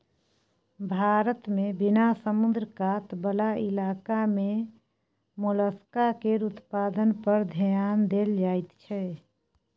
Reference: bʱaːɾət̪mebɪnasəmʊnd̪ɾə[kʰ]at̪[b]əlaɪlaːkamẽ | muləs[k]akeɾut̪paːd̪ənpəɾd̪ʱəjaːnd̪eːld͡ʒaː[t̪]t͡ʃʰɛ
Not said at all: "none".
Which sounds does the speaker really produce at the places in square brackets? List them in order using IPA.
k, b, k, t̪

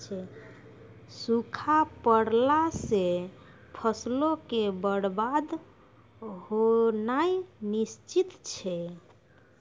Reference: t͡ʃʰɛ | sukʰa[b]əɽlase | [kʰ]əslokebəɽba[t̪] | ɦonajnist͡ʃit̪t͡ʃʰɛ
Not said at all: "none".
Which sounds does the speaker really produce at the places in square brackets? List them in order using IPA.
p, pʰ, d̪

